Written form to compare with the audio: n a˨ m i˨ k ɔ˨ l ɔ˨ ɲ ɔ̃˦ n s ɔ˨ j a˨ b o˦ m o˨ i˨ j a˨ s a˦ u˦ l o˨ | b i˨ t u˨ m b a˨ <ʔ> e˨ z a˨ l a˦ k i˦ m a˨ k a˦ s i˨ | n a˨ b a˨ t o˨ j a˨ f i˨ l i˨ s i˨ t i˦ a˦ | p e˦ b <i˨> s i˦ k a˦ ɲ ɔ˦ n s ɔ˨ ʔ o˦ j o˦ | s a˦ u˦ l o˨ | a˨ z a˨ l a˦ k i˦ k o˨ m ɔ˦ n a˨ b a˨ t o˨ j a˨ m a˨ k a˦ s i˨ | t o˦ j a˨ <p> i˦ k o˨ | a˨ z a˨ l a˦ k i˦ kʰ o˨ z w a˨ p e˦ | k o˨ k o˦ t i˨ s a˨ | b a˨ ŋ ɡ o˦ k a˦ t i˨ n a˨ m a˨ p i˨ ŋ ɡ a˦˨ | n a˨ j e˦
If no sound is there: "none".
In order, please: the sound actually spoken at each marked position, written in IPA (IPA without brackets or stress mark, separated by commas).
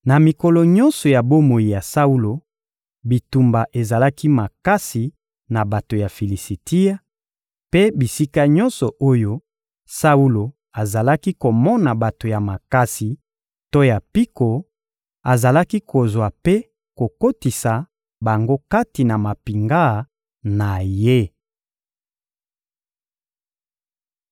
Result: ʔ, i˨, p